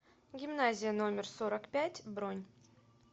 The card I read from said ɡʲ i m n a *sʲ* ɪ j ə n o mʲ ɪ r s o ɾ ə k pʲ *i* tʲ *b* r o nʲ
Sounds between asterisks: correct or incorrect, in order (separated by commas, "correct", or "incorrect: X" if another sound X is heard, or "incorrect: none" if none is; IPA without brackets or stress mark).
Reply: incorrect: zʲ, incorrect: æ, correct